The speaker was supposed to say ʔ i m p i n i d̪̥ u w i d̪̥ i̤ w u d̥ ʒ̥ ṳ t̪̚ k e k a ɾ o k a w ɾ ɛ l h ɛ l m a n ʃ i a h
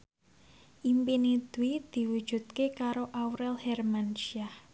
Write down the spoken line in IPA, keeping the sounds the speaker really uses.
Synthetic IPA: ʔ i m p i n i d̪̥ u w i d̪̥ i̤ w u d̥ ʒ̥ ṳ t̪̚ k e k a ɾ o ʔ a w ɾ ɛ l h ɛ r m a n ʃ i a h